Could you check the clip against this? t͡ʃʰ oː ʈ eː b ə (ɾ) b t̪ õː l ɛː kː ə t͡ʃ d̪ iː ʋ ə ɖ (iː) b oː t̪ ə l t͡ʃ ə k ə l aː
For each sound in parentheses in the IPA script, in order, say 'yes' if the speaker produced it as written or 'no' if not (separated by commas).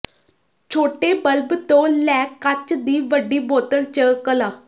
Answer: no, yes